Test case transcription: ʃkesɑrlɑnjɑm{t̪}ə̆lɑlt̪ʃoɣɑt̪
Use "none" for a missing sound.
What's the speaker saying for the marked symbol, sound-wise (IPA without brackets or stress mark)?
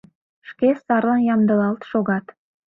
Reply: d̪